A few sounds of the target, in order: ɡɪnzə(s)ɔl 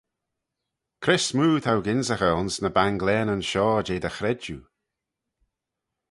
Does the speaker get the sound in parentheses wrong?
yes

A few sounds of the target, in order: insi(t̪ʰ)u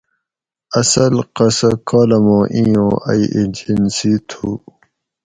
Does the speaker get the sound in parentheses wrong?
no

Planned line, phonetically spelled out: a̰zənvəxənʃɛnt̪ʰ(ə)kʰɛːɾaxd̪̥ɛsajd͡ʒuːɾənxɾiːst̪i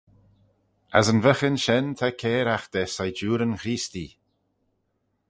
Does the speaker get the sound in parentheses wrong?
yes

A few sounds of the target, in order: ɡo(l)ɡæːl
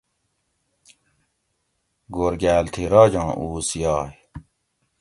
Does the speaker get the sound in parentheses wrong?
yes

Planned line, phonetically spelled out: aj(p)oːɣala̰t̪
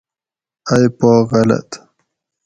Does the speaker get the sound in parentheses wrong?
no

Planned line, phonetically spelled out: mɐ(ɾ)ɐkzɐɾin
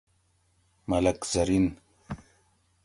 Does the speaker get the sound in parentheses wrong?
yes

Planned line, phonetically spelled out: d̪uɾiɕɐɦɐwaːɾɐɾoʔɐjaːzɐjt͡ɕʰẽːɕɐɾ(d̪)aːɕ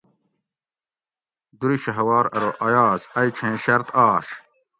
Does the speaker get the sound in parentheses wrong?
yes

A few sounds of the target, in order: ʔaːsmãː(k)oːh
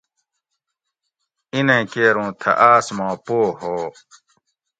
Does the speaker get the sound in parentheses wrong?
yes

